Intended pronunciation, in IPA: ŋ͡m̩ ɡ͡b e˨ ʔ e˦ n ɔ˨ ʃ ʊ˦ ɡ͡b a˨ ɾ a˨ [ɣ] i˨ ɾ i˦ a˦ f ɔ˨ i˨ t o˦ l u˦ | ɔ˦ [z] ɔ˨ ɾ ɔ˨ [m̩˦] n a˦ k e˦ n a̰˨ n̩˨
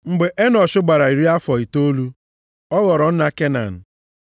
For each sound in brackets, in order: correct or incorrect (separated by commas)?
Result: incorrect, incorrect, incorrect